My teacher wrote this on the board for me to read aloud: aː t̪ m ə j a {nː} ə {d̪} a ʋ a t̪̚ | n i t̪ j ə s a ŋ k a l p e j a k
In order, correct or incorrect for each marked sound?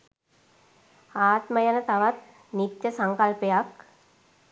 incorrect: n, incorrect: t̪

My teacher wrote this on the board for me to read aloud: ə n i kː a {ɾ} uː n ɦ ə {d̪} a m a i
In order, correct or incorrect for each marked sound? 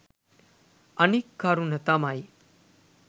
correct, incorrect: t̪

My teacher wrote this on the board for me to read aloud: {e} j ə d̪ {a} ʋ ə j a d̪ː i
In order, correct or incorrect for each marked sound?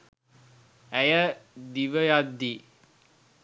incorrect: æ, incorrect: i

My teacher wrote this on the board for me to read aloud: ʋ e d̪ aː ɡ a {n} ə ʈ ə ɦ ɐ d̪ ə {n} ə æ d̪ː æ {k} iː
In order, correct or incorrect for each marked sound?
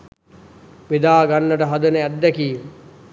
incorrect: nː, correct, correct

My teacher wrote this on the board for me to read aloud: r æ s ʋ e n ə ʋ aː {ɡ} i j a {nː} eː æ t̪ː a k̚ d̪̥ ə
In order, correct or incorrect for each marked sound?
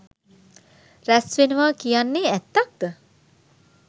incorrect: k, correct

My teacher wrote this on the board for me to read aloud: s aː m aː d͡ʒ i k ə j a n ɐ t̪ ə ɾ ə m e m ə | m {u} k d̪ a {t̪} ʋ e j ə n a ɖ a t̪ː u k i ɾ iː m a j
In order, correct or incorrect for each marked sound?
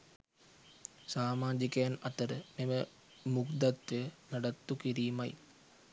correct, correct

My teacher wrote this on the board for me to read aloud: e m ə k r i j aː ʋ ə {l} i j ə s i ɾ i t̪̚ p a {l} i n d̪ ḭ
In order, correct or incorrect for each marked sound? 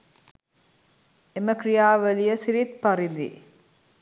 correct, incorrect: ɾ

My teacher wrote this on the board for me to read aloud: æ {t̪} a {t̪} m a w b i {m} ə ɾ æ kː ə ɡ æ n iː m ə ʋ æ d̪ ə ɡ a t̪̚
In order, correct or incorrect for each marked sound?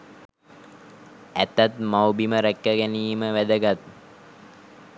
correct, correct, correct

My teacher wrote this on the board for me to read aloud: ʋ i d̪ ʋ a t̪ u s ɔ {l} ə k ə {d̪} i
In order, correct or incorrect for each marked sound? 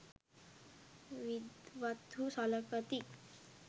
correct, incorrect: t̪

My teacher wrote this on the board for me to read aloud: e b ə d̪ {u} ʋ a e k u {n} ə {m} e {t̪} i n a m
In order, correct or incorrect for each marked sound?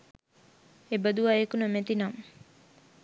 correct, correct, correct, correct

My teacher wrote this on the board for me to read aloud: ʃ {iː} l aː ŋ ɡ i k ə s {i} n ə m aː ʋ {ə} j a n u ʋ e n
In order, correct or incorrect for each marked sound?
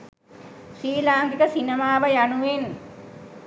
correct, correct, correct

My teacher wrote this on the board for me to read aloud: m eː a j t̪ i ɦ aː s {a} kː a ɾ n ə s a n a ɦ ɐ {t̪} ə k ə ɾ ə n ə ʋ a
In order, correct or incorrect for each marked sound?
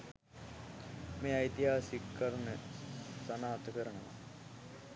incorrect: i, correct

